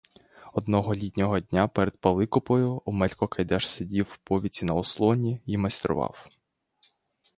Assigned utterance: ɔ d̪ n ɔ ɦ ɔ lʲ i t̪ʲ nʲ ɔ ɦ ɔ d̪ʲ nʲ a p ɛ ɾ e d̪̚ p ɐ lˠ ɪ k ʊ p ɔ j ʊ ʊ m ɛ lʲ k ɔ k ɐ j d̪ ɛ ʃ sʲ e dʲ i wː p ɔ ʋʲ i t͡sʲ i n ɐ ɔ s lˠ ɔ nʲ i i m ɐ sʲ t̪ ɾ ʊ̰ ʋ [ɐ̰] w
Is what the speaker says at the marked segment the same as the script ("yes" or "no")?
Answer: no